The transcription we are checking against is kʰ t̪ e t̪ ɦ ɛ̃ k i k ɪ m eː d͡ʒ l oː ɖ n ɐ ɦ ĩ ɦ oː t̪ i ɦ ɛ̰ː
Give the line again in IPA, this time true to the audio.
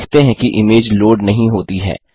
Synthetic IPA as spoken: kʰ t̪ e ɦ ɛ̃ k i ʔ ɪ m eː d͡ʒ l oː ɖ n ɐ ɦ ĩ ɦ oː t̪ i ɦ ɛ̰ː

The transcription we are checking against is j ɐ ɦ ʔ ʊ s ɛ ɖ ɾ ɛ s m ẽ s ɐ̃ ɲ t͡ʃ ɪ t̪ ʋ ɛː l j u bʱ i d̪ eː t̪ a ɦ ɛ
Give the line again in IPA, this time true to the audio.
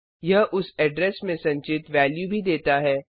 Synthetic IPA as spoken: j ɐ ɦ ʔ ʊ s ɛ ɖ ɾ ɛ s m ẽ s ɐ̃ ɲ t͡ʃ ɪ t̪ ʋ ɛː l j u bʱ i d̪ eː t̪ a ɦ ɛː

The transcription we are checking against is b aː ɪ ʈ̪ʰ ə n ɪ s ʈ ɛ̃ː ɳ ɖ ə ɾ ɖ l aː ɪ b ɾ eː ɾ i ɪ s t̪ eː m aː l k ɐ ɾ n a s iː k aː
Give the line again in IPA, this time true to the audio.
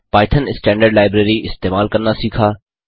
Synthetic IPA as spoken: p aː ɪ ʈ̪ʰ ə n ɪ s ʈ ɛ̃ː ɳ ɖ ə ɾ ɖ l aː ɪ b ɾ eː ɾ i ɪ s t̪ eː m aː l k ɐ ɾ n a s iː kʰ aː

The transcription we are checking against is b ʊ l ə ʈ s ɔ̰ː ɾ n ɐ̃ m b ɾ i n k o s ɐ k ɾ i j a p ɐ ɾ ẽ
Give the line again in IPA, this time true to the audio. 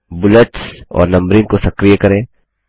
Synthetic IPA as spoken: b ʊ l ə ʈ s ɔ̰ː ɾ n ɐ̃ m b ɾ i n k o s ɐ k ɾ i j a k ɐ ɾ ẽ

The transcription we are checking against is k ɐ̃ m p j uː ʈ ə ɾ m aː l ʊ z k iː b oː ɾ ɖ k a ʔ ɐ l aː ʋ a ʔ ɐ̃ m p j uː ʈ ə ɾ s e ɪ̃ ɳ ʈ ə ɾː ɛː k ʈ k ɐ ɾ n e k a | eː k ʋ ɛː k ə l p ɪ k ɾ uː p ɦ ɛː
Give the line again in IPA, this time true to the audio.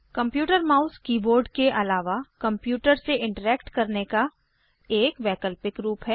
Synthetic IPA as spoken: k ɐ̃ m p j uː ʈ ə ɾ m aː ʊ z k iː b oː ɾ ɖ k e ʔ ɐ l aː ʋ a k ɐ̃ m p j uː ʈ ə ɾ s e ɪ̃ ɳ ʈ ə ɾ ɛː k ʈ k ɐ ɾ n e k a | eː k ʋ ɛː k ə l p ɪ k ɾ uː p ɦ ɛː

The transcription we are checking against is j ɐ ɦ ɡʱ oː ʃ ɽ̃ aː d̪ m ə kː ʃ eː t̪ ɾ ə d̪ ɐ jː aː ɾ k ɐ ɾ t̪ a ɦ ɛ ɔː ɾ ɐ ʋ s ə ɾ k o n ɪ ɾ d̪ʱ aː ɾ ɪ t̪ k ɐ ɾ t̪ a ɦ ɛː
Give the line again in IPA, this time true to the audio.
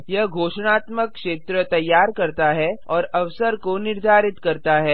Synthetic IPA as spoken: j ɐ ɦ ɡʱ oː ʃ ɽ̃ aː t̪ m ə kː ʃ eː t̪ ɾ ə t̪ ɐ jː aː ɾ k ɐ ɾ t̪ a ɦ ɛ ɔː ɾ ɐ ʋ s ə ɾ k o n ɪ ɾ d̪ʱ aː ɾ ɪ t̪ k ɐ ɾ t̪ a ɦ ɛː

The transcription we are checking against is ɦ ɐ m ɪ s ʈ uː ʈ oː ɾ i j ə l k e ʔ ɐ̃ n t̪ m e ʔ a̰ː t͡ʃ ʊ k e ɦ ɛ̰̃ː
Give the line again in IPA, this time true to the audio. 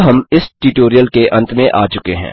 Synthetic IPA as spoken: ɦ ɐ m ɪ s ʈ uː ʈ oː ɾ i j ə l k e ʔ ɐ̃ n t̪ m ẽ ʔ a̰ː t͡ʃ ʊ k e ɦ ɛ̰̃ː

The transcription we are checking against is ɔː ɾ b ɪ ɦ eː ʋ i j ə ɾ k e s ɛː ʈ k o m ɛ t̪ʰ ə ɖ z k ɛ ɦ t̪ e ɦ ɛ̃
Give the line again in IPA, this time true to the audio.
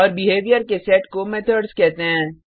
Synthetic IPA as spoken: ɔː ɾ b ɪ ɦ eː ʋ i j ə ɾ k e s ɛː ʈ k o m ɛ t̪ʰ ə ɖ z k ɛ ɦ t̪ e ɦ ɛ̃ː

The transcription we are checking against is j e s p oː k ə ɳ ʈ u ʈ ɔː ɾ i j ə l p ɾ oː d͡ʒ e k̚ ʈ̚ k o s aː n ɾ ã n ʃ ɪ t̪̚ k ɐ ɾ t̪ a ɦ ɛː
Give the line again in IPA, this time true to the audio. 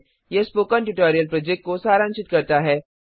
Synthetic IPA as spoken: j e s p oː k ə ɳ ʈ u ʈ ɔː ɾ i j ə l p ɾ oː d͡ʒ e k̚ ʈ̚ k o s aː ɾ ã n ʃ ɪ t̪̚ k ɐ ɾ t̪ a ɦ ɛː

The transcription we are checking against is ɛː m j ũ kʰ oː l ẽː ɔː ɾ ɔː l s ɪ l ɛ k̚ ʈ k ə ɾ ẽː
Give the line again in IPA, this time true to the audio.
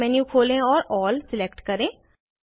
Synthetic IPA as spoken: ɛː n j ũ kʰ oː l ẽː ɔː ɾ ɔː l s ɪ l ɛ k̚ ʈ k ə ɾ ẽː

